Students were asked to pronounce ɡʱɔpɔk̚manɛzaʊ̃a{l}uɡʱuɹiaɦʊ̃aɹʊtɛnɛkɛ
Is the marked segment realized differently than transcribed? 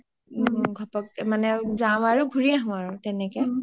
yes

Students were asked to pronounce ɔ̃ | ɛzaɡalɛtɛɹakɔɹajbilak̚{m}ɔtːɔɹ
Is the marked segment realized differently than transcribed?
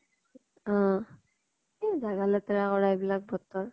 yes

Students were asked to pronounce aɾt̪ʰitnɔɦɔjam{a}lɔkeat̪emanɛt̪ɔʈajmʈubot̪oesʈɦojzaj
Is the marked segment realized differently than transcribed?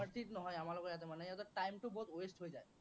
no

